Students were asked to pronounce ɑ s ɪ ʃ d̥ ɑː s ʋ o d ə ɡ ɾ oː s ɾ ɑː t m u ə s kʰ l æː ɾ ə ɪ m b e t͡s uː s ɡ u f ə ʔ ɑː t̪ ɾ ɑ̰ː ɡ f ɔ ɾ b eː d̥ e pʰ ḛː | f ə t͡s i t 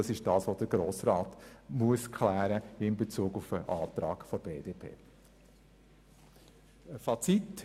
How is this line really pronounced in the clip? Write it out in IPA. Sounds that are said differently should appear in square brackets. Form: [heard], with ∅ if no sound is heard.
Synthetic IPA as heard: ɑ s ɪ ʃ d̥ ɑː s ʋ o d ə ɡ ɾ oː s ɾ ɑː t m u ə s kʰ l æː ɾ ə ɪ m b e t͡s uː [∅] ɡ u f ə ʔ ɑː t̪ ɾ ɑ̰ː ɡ f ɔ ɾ b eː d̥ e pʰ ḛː | f [ɑ] t͡s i t